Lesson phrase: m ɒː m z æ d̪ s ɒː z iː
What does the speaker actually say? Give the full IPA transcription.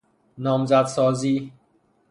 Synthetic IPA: n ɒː m z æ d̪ s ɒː z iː